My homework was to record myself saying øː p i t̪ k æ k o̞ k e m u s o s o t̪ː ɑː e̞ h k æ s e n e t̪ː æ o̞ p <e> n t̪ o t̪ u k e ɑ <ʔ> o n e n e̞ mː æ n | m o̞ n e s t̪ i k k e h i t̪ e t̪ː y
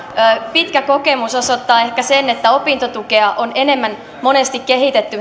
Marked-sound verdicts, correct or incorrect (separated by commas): incorrect, correct